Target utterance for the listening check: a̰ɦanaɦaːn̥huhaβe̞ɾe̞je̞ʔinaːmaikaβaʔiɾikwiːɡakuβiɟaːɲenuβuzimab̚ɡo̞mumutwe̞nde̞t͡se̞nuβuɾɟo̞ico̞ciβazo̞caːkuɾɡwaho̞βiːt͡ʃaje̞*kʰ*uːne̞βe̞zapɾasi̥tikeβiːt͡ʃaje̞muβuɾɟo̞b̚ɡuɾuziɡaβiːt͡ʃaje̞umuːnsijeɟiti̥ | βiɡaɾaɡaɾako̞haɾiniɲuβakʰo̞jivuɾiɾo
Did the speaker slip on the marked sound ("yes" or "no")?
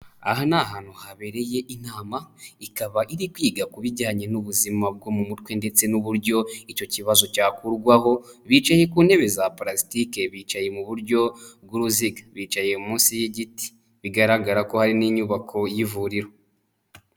yes